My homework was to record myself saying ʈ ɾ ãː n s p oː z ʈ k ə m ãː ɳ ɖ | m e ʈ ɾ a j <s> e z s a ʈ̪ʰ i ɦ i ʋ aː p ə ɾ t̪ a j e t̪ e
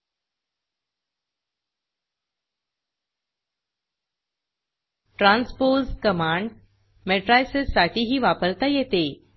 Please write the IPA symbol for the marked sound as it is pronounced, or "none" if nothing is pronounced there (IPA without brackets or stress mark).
s